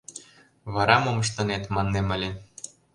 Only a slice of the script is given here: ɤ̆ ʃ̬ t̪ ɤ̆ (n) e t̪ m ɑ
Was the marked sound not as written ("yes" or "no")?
no